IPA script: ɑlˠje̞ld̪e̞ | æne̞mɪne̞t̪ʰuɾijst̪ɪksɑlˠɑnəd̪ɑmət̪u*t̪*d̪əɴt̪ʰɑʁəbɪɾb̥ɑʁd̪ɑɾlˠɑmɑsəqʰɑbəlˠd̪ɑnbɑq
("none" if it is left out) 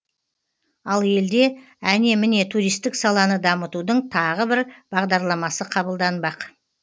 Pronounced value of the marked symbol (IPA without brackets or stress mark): none